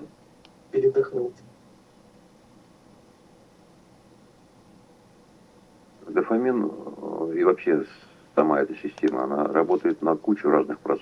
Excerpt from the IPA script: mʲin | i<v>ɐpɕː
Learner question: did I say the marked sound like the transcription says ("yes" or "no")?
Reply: yes